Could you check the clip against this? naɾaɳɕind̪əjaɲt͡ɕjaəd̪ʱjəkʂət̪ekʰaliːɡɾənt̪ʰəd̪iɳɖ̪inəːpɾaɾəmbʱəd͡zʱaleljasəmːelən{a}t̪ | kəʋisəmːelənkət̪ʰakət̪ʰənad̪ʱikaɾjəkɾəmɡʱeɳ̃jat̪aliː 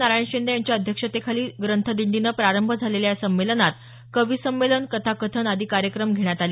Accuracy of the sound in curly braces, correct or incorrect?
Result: correct